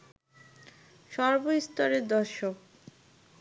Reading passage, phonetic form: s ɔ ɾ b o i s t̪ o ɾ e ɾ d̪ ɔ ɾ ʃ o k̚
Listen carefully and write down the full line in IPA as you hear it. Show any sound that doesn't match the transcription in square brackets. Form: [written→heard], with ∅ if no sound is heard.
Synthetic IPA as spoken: [s→ʃ] ɔ ɾ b o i s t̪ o ɾ e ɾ d̪ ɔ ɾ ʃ o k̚